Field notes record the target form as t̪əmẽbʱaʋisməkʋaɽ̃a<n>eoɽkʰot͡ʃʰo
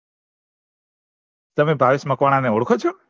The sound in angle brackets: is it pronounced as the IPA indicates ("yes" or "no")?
yes